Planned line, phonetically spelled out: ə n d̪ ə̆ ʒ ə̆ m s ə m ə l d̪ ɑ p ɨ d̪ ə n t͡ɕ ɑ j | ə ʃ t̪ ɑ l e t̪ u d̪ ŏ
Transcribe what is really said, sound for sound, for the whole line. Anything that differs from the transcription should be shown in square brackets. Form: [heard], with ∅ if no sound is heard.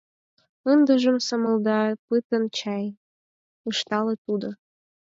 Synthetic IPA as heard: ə n d̪ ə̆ ʒ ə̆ m s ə m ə l d̪ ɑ p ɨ [t̪] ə n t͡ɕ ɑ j | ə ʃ t̪ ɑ l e t̪ u d̪ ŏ

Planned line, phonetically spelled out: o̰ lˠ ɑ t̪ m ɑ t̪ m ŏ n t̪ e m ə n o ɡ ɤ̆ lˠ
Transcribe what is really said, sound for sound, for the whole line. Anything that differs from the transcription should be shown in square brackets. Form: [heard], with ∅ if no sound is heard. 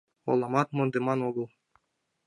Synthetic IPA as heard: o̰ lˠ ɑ [∅] m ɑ t̪ m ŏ n [d̪] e m [ɑ] n o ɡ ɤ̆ lˠ

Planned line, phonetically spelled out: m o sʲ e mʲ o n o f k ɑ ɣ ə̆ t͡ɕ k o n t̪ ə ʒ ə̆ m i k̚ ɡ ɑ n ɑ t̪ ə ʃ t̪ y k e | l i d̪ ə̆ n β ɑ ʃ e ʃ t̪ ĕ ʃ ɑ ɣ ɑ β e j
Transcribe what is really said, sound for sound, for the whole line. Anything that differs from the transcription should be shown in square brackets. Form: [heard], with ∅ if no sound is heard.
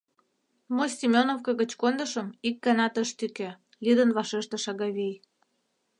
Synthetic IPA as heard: m o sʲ [i] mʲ o n o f k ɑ ɣ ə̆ t͡ɕ k o n [d̪] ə [ʃ] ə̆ m i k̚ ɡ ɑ n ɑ t̪ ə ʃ t̪ y k e | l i d̪ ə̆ n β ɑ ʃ e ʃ t̪ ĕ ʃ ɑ ɣ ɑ β e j

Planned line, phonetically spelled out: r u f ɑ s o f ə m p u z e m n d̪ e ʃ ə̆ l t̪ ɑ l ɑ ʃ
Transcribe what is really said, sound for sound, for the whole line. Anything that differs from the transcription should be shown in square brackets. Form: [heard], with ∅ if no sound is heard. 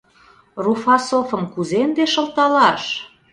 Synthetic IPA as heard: r u f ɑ s o f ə m [k] u z e [∅] n d̪ e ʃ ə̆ l t̪ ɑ l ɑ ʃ

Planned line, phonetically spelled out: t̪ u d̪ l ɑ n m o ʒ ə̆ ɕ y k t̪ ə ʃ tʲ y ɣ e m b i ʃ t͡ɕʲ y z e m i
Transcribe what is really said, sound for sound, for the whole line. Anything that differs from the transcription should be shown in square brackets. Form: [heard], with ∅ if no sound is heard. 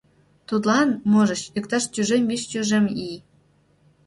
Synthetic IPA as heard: t̪ u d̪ l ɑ n m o ʒ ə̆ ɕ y k t̪ [ɑ] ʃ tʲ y [ʒ] e m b i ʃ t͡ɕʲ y [ʒ] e m i

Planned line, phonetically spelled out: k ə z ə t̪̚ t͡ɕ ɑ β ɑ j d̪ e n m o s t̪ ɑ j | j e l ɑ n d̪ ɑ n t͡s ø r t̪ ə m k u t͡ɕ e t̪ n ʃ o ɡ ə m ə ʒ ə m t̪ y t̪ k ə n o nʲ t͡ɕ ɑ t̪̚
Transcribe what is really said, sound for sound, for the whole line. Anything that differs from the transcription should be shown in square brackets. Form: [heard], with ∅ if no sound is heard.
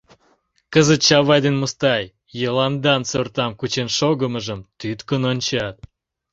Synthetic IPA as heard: k ə z ə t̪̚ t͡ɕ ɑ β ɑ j d̪ e n m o s t̪ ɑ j | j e l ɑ n d̪ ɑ n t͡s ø r t̪ [ɑ] m k u t͡ɕ e [∅] n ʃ o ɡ ə m ə ʒ ə m t̪ y t̪ k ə n o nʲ t͡ɕ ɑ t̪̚

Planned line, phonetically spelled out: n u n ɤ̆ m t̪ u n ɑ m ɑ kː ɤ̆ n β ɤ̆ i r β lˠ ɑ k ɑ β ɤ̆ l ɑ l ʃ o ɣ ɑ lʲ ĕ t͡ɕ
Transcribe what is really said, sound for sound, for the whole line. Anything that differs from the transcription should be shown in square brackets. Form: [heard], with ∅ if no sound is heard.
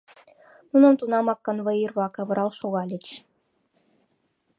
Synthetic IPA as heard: n u n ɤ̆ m t̪ u n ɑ m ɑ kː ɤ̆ n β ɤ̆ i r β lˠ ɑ k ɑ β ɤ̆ [ɾ] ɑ l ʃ o ɣ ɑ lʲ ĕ t͡ɕ

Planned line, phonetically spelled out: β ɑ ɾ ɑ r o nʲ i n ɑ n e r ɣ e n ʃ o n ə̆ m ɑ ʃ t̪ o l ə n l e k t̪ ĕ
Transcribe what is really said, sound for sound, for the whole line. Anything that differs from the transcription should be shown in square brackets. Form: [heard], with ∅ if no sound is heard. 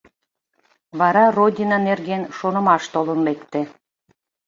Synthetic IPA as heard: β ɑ ɾ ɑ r o [dʲ] i n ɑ n e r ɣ e n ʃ o n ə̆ m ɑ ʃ t̪ o l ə n l e k t̪ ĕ

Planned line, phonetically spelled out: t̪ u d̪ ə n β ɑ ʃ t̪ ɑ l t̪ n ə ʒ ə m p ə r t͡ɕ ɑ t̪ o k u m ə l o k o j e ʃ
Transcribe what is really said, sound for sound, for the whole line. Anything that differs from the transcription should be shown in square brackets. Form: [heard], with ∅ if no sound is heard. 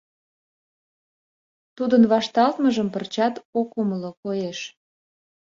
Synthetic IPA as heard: t̪ u d̪ ə n β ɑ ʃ t̪ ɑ l t̪ [m] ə ʒ ə m p ə r t͡ɕ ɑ t̪ o k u m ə l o k o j e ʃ

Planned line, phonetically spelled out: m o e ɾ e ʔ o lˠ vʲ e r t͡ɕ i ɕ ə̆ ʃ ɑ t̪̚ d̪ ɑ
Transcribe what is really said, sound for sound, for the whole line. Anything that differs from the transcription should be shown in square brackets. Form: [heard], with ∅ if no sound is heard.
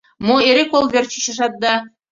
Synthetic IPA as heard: m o e ɾ e [k] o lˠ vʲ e r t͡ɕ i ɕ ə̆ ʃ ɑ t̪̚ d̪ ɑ

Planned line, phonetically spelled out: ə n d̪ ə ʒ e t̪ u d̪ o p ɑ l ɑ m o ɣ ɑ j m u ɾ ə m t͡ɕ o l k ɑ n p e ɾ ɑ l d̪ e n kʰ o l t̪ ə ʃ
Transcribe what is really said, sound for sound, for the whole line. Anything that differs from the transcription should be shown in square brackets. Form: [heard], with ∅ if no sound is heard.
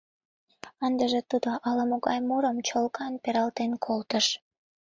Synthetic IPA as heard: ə n d̪ ə ʒ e t̪ u d̪ o [ʔ] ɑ l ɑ m o ɣ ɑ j m u ɾ ə m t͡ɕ o l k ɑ n p e ɾ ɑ l [t̪] e n kʰ o l t̪ ə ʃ

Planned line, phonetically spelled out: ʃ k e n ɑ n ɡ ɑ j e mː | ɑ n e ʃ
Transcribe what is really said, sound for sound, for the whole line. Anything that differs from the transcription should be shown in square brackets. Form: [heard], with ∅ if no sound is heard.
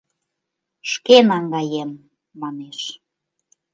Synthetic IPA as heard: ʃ k e n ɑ [ŋ] ɡ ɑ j e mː | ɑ n e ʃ

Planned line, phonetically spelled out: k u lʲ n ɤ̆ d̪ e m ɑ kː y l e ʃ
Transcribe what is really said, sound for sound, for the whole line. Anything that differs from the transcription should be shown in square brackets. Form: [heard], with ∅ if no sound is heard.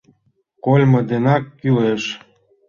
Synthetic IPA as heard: k [o] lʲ [m] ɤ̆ d̪ e [n] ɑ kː y l e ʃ

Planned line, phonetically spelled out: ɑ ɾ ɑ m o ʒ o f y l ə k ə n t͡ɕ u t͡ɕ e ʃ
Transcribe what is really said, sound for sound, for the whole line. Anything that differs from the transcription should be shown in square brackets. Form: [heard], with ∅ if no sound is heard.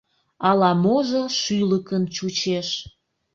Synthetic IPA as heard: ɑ [l] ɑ m o ʒ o [ʃ] y l ə k ə n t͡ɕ u t͡ɕ e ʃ

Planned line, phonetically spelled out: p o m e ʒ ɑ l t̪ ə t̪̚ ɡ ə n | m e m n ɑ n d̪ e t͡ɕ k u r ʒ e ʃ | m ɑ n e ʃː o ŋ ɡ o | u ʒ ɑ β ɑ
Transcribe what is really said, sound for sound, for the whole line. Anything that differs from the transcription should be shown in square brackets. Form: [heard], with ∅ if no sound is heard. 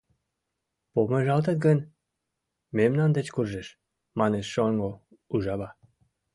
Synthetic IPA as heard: p o m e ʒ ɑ l t̪ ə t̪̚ ɡ ə n | m e m n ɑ n d̪ e t͡ɕ k u r ʒ e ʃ | m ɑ n e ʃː o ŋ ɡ o | u ʒ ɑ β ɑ

